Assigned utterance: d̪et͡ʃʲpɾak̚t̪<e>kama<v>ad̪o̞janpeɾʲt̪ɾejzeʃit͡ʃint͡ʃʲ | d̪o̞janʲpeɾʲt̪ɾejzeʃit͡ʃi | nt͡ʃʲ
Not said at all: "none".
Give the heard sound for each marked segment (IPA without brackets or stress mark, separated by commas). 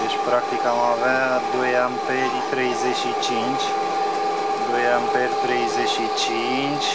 i, v